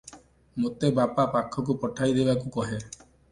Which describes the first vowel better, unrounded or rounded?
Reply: rounded